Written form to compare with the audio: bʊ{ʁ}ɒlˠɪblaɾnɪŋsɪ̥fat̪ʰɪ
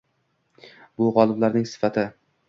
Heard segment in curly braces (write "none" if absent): ʁ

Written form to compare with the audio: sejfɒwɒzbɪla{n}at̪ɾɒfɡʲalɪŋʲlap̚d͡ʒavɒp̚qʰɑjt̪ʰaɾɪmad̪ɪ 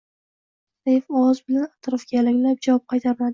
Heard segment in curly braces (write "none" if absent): n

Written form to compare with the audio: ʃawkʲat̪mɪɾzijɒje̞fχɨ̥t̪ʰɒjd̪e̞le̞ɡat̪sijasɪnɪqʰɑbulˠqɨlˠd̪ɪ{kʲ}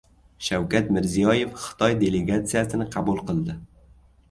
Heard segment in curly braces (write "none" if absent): none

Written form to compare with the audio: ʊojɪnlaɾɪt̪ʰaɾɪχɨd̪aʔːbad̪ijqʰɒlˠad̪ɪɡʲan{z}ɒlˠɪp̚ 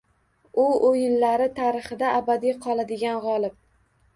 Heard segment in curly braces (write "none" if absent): ʁ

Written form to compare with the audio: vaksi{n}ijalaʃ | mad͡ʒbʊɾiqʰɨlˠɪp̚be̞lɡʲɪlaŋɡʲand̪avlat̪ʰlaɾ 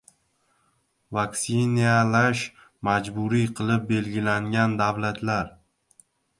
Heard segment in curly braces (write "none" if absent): n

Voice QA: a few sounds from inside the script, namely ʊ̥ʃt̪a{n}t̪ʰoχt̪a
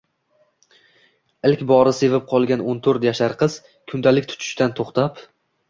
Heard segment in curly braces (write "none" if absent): n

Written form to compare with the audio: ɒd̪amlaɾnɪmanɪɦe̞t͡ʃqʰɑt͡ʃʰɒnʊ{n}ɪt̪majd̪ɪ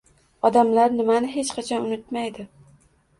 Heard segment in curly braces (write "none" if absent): n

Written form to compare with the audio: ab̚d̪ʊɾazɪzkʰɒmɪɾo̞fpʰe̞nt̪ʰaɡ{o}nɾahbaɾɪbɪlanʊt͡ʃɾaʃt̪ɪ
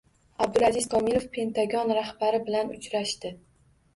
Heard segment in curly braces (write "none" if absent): ɒ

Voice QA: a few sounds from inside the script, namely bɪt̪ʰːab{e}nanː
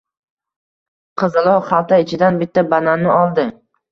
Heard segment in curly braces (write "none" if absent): a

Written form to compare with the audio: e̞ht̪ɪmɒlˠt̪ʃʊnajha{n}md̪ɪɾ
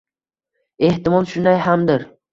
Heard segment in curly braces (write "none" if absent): none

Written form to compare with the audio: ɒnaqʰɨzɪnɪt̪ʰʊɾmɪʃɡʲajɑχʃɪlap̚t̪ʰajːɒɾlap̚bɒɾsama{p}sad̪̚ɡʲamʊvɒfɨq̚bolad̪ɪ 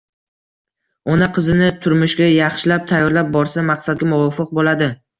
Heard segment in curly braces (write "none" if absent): q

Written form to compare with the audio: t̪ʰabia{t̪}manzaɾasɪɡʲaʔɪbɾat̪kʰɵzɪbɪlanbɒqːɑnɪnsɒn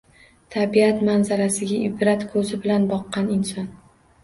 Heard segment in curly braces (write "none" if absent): t̪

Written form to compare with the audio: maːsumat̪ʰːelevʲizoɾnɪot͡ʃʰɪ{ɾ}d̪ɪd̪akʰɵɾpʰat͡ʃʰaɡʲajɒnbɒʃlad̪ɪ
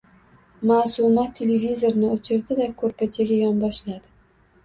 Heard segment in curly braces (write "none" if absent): ɾ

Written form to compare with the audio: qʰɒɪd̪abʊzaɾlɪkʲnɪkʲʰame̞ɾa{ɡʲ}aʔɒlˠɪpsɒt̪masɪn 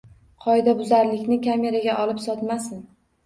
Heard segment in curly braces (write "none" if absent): ɡʲ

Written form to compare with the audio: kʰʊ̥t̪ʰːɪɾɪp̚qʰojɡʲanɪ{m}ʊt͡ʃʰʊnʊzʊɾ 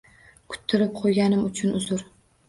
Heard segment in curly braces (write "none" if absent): m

